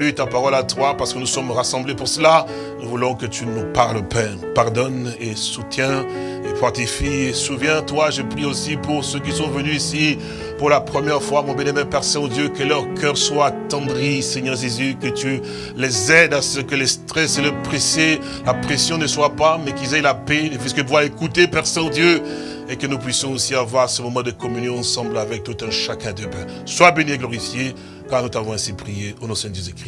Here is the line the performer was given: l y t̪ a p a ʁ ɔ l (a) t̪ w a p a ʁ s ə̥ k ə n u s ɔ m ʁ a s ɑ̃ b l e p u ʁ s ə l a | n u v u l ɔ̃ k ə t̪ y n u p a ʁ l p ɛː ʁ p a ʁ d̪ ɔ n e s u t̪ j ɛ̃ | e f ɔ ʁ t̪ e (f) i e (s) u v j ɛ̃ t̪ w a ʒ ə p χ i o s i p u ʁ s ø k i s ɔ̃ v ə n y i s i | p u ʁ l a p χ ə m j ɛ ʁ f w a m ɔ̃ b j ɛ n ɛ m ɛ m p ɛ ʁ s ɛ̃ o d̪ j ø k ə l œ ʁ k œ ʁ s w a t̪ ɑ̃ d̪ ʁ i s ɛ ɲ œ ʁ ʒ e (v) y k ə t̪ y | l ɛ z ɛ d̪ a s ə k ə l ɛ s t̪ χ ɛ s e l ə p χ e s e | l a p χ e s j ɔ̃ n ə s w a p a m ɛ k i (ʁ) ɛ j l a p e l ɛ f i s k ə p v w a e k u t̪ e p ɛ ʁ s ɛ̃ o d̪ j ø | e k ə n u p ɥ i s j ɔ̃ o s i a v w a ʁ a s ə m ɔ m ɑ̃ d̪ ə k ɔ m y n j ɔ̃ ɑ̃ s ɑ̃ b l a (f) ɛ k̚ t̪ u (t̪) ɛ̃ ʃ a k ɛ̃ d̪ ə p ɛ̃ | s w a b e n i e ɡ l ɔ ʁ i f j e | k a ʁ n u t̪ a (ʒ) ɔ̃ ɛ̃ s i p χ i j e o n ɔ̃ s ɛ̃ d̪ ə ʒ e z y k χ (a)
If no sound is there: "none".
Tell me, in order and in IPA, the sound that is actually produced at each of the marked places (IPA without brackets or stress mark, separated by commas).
a, f, s, z, z, v, t̪, v, i